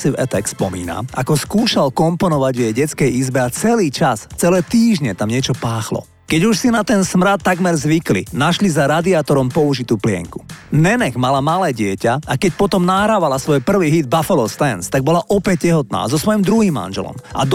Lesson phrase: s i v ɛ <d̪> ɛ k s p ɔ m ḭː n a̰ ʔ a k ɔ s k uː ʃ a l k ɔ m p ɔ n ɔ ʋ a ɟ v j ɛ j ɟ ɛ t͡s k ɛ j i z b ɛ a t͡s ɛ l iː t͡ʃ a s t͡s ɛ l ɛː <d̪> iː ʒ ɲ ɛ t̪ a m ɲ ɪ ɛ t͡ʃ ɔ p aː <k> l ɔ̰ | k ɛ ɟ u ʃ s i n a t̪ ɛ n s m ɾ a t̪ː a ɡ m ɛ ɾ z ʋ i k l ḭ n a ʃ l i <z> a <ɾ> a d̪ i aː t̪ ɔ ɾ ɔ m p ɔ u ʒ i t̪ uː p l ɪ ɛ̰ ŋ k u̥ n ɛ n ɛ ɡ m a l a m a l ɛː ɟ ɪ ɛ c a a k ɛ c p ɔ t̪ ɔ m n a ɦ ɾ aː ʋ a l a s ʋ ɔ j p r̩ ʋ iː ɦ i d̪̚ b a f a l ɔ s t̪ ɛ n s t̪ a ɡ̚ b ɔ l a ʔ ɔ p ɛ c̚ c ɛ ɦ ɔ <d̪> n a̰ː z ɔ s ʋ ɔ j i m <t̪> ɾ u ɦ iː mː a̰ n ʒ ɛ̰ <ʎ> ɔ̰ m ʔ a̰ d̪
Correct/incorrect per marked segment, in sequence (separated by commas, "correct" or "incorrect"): incorrect, incorrect, incorrect, correct, correct, incorrect, incorrect, incorrect